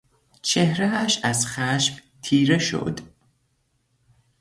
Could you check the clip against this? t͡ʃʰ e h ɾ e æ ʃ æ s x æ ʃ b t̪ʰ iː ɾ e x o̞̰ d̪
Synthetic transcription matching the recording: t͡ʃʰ e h ɾ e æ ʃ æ z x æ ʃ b t̪ʰ iː ɾ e ʃ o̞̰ d̪